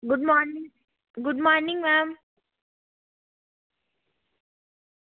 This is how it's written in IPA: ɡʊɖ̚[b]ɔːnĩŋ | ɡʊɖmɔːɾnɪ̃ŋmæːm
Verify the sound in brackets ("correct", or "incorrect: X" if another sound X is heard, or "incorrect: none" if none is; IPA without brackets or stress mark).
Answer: incorrect: m